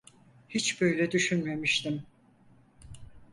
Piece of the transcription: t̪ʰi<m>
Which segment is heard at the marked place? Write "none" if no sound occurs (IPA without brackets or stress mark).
m